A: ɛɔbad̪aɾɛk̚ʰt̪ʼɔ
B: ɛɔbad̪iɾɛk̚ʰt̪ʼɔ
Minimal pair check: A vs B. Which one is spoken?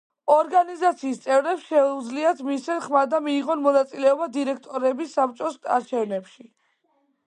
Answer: B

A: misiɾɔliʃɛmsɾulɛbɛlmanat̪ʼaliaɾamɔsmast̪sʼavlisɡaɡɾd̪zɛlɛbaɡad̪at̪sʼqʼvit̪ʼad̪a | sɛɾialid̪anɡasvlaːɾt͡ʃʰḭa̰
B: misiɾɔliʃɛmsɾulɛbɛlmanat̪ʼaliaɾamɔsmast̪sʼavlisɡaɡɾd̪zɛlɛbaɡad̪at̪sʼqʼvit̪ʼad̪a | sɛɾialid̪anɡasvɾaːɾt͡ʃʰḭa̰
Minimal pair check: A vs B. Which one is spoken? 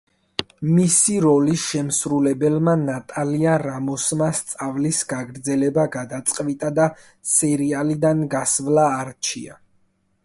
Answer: A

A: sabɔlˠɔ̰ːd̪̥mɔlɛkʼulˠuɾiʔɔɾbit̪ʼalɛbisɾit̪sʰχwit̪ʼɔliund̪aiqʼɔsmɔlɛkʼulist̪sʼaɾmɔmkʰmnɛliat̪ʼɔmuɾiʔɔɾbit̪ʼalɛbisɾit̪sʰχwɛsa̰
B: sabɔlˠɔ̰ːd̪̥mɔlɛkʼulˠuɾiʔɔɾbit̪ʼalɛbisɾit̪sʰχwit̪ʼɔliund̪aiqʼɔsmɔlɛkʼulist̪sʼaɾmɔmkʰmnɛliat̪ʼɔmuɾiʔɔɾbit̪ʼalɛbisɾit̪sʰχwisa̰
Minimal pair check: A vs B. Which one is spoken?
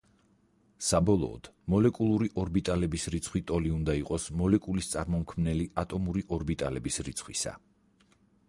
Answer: B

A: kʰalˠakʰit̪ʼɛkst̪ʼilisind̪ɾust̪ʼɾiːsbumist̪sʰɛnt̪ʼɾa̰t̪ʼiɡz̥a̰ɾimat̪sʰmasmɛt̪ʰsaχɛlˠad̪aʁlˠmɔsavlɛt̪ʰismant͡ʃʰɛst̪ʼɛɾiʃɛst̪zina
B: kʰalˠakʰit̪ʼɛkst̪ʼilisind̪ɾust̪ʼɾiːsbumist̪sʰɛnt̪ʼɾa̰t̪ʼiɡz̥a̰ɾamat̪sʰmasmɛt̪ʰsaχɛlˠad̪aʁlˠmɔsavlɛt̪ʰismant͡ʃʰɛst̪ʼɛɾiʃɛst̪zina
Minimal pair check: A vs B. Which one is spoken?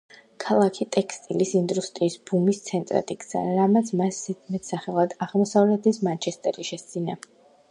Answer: B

